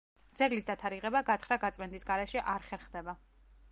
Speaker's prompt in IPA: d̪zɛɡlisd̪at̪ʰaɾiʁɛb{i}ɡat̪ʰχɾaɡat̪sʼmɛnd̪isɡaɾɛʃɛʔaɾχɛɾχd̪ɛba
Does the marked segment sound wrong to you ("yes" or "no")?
yes